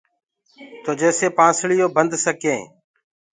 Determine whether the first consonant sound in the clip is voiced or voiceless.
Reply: voiceless